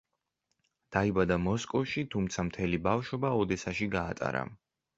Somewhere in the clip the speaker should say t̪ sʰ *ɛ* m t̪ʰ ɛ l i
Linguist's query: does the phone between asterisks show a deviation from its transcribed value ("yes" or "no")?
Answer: yes